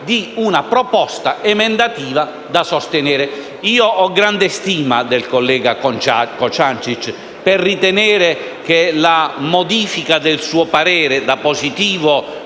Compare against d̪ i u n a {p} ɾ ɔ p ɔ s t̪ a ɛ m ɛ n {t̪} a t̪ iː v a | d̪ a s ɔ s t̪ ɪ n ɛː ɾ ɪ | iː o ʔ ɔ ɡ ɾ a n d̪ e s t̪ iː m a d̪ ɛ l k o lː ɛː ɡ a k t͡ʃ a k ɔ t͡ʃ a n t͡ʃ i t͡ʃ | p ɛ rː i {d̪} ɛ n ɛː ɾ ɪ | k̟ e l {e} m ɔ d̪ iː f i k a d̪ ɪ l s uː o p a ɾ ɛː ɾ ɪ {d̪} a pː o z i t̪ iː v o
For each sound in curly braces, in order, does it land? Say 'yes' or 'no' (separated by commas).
yes, no, no, no, yes